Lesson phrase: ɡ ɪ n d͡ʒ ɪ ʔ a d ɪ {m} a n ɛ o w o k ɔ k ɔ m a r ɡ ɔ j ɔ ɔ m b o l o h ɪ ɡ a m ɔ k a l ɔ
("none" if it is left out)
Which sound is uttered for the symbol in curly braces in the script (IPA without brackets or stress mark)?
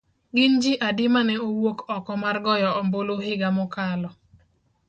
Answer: m